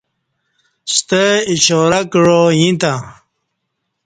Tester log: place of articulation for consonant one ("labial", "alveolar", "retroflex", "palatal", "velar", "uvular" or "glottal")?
alveolar